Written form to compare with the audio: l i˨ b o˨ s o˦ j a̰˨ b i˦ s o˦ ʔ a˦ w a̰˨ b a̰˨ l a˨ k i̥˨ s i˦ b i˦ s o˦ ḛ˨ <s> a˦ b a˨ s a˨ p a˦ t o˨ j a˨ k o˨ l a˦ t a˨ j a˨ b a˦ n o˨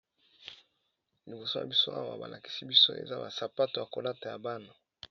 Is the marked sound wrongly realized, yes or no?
yes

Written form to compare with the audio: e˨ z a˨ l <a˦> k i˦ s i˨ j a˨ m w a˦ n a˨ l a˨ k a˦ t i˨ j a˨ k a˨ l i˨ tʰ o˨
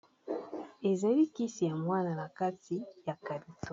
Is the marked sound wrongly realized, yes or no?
yes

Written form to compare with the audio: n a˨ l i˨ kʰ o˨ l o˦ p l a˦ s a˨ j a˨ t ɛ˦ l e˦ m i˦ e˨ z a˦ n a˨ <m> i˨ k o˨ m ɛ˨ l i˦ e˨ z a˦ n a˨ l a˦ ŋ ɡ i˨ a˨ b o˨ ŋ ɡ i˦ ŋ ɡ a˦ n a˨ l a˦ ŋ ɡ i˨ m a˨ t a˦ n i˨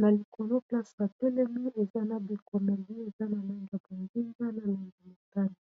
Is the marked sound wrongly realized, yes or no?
yes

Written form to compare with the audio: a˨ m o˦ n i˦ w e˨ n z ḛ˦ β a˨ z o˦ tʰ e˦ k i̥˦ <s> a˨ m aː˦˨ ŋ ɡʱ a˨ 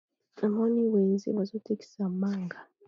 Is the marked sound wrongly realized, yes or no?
no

